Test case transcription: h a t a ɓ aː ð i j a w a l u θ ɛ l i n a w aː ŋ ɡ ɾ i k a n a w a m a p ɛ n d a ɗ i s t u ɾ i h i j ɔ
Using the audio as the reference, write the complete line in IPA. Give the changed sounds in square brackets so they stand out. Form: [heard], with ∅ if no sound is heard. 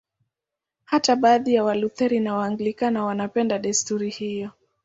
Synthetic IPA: h a t a ɓ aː ð i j a w a l u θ ɛ [ɾ] i n a w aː ŋ ɡ [l] i k a n a w a [n] a p ɛ n d a ɗ [ɛ] s t u ɾ i h i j ɔ